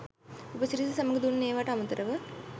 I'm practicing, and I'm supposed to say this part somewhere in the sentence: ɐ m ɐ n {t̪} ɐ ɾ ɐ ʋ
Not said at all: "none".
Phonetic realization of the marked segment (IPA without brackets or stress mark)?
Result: t̪